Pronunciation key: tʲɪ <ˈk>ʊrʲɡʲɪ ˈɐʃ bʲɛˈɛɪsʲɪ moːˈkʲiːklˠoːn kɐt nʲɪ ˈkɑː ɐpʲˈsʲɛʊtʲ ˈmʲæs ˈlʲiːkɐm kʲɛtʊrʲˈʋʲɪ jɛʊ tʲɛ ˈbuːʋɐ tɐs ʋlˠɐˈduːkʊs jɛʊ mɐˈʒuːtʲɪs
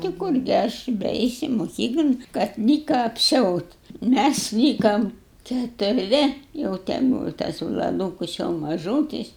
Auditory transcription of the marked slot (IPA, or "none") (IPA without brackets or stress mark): k